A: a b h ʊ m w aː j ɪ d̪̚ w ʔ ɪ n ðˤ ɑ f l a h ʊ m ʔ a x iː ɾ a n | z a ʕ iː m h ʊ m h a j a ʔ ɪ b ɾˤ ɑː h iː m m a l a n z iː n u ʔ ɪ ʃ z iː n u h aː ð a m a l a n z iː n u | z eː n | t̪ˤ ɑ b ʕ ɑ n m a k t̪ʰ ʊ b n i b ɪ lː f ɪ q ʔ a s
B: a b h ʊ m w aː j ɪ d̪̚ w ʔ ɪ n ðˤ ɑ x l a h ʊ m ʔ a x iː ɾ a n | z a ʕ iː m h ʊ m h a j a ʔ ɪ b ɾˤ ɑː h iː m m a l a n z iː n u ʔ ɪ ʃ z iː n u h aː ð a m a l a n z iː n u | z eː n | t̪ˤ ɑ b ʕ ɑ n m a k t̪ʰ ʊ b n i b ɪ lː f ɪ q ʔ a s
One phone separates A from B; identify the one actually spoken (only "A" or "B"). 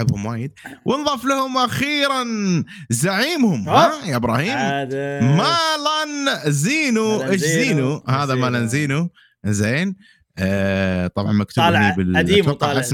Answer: A